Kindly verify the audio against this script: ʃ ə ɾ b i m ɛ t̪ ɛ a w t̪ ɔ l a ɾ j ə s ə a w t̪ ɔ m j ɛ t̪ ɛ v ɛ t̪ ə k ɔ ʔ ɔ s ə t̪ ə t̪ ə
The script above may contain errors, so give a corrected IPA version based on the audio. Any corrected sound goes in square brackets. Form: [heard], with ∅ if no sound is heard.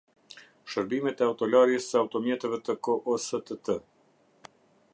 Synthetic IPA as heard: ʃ ə ɾ b i m ɛ t̪ ɛ a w t̪ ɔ l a ɾ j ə s ə a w t̪ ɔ m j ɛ t̪ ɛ v ɛ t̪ ə k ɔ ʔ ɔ s ə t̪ ə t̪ ə